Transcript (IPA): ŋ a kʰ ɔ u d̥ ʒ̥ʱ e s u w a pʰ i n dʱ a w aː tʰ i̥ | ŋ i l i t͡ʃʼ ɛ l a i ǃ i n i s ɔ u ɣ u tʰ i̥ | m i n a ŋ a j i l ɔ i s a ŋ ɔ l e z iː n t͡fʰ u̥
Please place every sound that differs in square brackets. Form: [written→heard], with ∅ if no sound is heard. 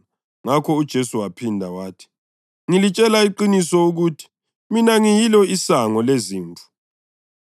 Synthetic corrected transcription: ŋ a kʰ ɔ u d̥ ʒ̥ʱ e s u w a pʰ i n dʱ a w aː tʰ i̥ | ŋ i l i t͡ʃʼ ɛ l a i ǃ i n i s ɔ u ɣ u tʰ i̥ | m i n a ŋ [a→i] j i l ɔ i s a ŋ ɔ l e z iː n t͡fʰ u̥